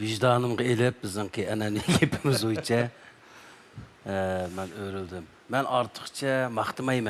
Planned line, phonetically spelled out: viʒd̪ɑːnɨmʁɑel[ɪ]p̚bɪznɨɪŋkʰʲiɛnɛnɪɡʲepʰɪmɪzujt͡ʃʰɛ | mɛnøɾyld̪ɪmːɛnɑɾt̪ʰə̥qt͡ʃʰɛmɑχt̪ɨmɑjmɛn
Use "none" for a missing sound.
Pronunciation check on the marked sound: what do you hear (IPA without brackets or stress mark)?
ɪ